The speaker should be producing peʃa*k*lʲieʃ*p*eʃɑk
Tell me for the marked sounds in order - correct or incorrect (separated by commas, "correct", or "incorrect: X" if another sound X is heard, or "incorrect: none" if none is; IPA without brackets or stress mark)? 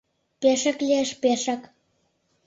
correct, correct